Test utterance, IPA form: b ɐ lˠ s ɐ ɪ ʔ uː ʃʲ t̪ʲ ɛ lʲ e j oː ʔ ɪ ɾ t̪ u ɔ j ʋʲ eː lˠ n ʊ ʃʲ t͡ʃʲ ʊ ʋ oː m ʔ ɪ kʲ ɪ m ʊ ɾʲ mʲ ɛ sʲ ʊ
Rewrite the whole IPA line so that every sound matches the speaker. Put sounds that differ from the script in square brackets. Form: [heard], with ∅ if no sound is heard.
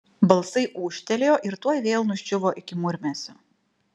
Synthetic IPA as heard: b ɐ lˠ s ɐ ɪ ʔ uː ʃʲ t̪ʲ ɛ lʲ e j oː ʔ ɪ ɾ t̪ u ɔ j ʋʲ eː lˠ n ʊ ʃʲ t͡ʃʲ ʊ ʋ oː [∅] ʔ ɪ kʲ ɪ m ʊ ɾʲ mʲ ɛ sʲ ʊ